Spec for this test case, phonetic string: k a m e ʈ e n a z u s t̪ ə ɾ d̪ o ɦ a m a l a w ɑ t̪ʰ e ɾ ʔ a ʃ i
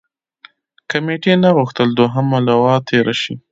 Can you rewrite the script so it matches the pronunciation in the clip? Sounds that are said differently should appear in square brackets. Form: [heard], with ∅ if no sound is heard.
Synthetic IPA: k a m e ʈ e n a [ɣ] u [x] t̪ ə [l] d̪ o ɦ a m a l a w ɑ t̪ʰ e ɾ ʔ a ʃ i